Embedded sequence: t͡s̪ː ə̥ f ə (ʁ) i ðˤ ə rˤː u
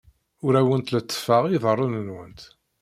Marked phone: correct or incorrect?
correct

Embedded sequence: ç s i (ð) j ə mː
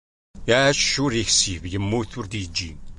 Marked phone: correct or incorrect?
incorrect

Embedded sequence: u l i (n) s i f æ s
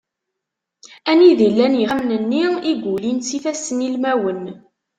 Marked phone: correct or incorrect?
correct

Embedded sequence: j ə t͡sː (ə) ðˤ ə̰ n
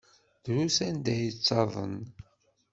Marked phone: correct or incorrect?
incorrect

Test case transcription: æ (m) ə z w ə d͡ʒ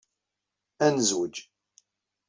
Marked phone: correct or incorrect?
incorrect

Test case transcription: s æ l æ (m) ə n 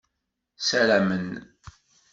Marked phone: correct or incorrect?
correct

